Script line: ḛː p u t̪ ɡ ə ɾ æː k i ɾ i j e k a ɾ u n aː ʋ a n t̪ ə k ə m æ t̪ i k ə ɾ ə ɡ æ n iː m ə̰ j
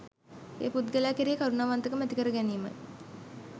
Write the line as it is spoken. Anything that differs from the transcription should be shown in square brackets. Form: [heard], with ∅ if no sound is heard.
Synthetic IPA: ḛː p u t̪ ɡ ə [l] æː k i ɾ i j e k a ɾ u n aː ʋ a n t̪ ə k ə m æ t̪ i k ə ɾ ə ɡ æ n iː m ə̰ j